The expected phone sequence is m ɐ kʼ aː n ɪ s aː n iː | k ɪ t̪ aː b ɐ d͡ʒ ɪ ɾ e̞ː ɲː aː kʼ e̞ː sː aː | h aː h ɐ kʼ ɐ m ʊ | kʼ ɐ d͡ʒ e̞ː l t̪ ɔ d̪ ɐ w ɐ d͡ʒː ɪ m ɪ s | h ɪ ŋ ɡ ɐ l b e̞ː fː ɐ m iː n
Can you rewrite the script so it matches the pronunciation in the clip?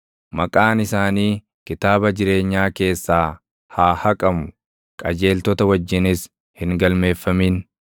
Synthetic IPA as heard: m ɐ kʼ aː n ɪ s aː n iː | k ɪ t̪ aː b ɐ d͡ʒ ɪ ɾ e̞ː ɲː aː k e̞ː sː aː | h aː h ɐ kʼ ɐ m ʊ | kʼ ɐ d͡ʒ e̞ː l t̪ ɔ t̪ ɐ w ɐ d͡ʒː ɪ n ɪ s | h ɪ ŋ ɡ ɐ l m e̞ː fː ɐ m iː n